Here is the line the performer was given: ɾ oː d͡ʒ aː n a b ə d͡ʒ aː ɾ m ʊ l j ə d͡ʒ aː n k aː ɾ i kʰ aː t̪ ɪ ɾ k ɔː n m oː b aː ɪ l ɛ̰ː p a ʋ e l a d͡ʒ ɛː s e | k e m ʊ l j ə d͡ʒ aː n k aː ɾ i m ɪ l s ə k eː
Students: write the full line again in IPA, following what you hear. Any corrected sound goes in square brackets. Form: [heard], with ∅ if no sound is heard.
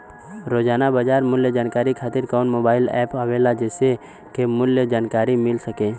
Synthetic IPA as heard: ɾ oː d͡ʒ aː n a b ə d͡ʒ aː ɾ m ʊ l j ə d͡ʒ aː n k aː ɾ i kʰ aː t̪ ɪ ɾ k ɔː n m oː b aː ɪ l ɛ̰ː p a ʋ e l a d͡ʒ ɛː s e | k e m ʊ l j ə d͡ʒ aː n k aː ɾ i m ɪ l s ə k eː